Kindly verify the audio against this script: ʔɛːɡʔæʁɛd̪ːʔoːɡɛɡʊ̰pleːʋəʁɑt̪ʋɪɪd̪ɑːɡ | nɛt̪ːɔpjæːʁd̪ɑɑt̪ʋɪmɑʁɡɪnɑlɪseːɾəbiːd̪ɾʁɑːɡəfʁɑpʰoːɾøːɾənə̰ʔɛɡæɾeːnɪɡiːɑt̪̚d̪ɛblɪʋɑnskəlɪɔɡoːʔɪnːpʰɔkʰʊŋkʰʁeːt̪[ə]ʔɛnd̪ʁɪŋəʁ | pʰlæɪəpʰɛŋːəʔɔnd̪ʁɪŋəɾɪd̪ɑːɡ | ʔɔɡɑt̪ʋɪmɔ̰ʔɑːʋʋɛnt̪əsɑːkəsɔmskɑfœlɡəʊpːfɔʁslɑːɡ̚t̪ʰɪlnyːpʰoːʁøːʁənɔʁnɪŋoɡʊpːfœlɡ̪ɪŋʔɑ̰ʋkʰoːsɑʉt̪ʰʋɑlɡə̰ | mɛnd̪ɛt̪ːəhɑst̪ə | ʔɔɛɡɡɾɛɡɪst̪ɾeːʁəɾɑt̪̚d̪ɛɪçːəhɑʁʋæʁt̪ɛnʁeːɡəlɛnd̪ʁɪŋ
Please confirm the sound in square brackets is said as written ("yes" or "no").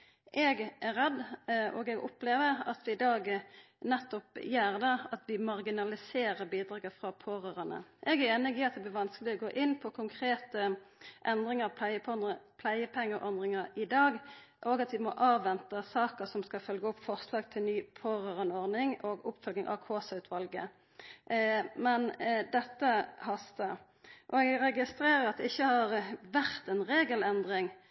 yes